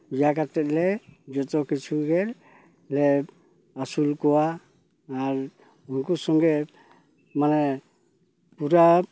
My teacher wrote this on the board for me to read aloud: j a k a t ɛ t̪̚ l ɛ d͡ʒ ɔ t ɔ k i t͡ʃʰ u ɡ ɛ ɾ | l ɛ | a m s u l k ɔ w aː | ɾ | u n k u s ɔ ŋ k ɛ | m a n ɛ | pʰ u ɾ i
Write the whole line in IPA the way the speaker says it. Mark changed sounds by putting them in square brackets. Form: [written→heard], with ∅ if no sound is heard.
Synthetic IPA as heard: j a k a t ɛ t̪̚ l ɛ d͡ʒ ɔ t ɔ k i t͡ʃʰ u ɡ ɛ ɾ | l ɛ | a [m→∅] s u l k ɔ w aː | ɾ | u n k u s ɔ ŋ [k→ɡ] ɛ | m a n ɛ | [pʰ→p] u ɾ [i→a]